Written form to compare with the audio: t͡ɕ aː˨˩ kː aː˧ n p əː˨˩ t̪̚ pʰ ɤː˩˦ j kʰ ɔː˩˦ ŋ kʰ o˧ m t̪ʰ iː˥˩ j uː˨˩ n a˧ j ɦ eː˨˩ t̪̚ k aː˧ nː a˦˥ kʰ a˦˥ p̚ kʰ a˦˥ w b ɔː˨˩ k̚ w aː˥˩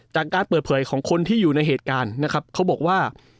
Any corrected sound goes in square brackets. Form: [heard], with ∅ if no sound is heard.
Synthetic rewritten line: t͡ɕ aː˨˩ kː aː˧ n p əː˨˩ t̪̚ pʰ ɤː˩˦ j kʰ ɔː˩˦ ŋ kʰ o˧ [n] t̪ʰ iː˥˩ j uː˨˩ n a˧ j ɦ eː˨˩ t̪̚ k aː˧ nː a˦˥ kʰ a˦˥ p̚ kʰ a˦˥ w b ɔː˨˩ k̚ w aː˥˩